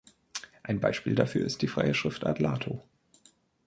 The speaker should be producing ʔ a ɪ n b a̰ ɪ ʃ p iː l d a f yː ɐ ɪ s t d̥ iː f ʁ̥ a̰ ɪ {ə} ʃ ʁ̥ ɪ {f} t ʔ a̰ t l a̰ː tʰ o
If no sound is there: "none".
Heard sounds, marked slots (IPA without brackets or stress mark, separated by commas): ə, f